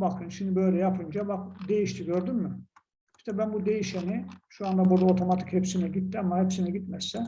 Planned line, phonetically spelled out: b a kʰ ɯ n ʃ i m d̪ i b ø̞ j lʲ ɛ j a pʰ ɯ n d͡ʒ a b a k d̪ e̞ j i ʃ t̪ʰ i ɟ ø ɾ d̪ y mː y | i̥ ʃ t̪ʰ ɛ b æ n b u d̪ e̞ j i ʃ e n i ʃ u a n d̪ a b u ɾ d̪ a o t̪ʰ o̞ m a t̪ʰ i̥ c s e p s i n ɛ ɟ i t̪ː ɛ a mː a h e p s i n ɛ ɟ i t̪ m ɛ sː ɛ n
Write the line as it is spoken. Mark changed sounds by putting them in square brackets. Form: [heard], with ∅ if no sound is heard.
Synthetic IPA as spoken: b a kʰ ɯ n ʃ i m d̪ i b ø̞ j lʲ ɛ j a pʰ ɯ n d͡ʒ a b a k d̪ e̞ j i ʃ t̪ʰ i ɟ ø ɾ d̪ y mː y | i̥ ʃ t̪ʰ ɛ b æ n b u d̪ e̞ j i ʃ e n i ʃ u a n d̪ a b u ɾ d̪ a o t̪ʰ o̞ m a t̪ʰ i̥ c [h] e p s i n ɛ ɟ i t̪ː [i] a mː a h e p s i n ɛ ɟ i t̪ m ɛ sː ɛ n